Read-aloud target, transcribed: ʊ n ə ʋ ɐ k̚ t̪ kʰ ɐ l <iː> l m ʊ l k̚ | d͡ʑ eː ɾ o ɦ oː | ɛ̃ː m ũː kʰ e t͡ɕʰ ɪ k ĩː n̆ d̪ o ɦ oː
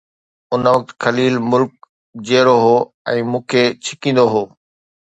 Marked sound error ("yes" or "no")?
no